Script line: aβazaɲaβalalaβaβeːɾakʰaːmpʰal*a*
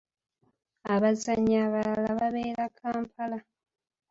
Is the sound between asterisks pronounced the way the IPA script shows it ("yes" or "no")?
yes